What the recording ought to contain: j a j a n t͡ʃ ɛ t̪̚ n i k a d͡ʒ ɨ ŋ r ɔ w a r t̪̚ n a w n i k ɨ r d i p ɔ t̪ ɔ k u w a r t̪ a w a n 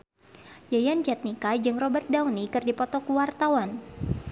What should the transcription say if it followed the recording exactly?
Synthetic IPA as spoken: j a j a n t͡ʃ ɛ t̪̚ n i k a d͡ʒ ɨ ŋ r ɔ b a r t̪̚ d a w n i k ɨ r d i p ɔ t̪ ɔ k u w a r t̪ a w a n